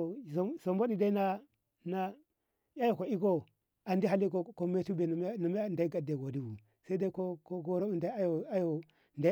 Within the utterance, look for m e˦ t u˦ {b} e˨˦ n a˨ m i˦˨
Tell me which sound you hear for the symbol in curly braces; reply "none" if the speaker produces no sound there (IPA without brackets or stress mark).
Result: b